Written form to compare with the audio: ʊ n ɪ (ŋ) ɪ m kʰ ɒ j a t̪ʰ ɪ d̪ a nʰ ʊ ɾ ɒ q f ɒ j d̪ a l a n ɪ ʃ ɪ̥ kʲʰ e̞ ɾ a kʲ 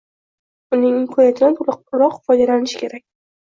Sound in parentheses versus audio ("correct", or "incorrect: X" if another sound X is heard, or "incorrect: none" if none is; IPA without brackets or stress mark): correct